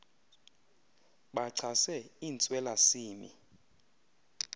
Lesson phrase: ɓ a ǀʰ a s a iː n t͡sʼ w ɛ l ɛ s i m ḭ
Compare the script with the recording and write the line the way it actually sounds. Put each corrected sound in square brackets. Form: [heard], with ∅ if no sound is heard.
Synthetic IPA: ɓ a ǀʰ a s [ɛ] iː n t͡sʼ w ɛ l [a] s [iː] m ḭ